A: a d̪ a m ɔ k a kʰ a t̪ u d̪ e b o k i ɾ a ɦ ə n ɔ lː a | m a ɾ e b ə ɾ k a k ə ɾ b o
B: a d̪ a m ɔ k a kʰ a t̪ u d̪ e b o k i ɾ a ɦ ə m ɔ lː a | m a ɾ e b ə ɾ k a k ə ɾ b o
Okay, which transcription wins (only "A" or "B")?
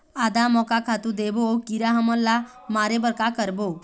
B